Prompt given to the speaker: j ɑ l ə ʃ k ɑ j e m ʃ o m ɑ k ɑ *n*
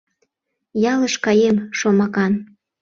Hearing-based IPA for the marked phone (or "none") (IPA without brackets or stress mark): n